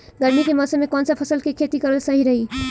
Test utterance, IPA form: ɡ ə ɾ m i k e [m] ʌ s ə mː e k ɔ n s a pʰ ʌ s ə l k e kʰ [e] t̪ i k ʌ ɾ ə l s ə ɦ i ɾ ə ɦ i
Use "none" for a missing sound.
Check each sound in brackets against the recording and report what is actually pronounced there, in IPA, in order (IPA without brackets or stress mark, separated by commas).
m, e